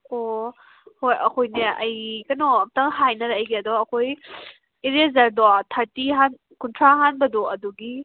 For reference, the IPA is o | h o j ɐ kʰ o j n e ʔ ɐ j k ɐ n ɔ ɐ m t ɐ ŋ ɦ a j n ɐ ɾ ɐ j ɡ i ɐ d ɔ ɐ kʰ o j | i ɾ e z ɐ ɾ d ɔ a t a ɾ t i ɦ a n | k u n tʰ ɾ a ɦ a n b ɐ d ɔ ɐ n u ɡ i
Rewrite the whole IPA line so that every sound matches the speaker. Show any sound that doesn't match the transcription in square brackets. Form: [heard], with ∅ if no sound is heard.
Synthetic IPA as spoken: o | h o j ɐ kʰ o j n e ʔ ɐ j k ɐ n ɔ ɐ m t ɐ ŋ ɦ a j n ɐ ɾ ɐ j ɡ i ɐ d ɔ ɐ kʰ o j | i ɾ e z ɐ ɾ d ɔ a [tʰ] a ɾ t i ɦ a n | k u n tʰ ɾ a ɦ a n b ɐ d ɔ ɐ [d] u ɡ i